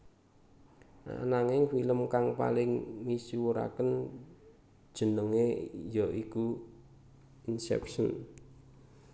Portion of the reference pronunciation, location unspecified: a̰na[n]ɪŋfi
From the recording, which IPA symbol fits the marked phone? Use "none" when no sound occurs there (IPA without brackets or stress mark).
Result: ŋ